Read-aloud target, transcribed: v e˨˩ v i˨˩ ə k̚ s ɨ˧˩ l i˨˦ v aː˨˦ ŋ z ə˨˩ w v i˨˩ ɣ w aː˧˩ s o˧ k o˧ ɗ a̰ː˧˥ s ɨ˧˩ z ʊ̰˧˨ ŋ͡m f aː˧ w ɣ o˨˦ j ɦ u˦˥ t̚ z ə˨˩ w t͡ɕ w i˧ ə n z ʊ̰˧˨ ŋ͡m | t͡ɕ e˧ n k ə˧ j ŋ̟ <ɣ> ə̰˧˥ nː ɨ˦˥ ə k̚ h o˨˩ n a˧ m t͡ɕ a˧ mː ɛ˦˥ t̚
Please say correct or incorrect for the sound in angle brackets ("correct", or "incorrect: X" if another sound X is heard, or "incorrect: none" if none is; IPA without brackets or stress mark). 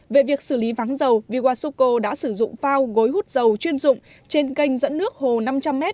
incorrect: z